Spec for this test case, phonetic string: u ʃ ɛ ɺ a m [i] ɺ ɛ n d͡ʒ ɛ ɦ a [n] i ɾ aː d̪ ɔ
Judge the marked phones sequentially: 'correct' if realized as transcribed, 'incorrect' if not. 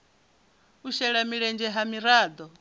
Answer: correct, incorrect

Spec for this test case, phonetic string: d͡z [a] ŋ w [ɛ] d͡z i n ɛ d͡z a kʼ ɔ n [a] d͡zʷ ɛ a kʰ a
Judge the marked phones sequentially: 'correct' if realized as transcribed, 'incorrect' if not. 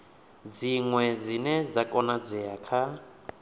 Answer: incorrect, correct, correct

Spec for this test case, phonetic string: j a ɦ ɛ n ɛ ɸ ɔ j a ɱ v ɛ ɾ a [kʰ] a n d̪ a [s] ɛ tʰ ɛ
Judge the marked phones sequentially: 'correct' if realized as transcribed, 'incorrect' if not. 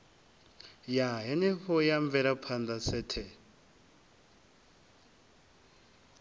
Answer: incorrect, correct

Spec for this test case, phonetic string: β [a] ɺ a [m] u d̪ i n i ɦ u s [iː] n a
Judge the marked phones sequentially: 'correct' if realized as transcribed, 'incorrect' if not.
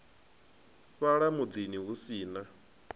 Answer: correct, correct, correct

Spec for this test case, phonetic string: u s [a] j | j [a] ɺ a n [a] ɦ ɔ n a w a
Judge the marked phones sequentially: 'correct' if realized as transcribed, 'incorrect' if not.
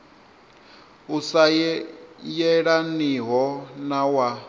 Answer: correct, incorrect, incorrect

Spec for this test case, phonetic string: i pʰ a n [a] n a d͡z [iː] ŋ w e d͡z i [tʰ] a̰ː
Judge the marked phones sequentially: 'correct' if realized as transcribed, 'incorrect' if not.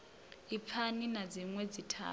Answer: incorrect, incorrect, correct

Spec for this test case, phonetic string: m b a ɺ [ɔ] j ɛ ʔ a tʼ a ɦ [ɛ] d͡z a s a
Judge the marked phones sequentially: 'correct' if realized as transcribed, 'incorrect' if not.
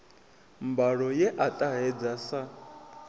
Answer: correct, correct

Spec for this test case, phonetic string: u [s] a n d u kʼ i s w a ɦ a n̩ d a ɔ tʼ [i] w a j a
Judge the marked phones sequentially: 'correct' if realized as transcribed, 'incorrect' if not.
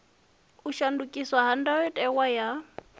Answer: incorrect, incorrect

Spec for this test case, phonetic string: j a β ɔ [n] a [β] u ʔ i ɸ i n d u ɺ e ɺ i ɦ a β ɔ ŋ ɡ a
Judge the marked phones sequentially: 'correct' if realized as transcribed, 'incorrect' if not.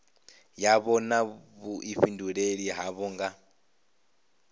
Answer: correct, correct

